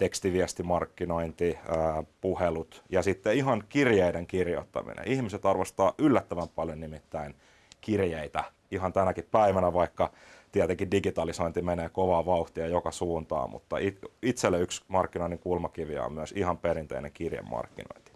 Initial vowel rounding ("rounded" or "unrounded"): unrounded